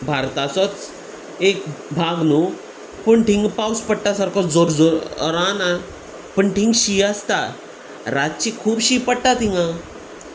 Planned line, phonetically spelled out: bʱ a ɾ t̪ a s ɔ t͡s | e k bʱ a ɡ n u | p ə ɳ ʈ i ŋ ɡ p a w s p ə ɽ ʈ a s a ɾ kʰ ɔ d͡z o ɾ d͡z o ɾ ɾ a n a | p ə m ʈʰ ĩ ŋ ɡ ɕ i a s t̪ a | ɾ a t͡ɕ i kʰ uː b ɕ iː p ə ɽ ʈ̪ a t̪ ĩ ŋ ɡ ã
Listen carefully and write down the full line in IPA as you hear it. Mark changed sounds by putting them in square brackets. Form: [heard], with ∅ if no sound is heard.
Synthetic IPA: bʱ a ɾ t̪ a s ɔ t͡s | e k bʱ a ɡ n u | p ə ɳ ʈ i ŋ ɡ p a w s p ə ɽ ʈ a s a ɾ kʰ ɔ d͡z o ɾ d͡z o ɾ ɾ a n a | p ə [ɳ] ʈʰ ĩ ŋ ɡ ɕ i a s t̪ a | ɾ a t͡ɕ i kʰ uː b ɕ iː p ə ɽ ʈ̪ a t̪ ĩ ŋ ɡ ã